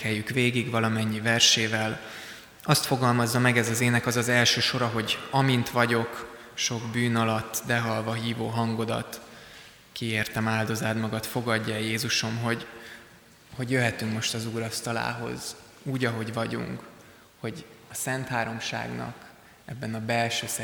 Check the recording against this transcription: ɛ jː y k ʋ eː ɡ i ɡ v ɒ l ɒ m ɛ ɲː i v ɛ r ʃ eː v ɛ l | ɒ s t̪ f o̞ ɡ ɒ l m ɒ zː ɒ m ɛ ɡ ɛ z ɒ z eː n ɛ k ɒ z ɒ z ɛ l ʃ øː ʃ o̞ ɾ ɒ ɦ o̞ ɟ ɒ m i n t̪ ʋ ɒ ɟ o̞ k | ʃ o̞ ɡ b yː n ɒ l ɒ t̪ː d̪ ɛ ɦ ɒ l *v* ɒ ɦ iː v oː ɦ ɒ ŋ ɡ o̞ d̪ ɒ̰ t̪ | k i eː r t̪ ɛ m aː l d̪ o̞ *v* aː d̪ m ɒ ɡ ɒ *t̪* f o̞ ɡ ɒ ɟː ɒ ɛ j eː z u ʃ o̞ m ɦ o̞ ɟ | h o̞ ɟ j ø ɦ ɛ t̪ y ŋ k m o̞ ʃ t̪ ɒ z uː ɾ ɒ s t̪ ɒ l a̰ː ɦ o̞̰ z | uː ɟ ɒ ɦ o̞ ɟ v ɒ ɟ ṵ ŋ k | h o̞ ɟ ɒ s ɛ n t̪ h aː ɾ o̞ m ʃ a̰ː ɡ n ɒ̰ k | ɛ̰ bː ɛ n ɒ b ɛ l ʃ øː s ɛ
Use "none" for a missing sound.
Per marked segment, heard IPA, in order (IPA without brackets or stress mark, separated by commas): v, z, t̪